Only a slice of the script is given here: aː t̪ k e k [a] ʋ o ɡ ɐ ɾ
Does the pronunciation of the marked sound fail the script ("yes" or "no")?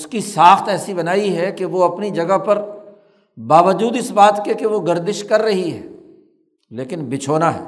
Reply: yes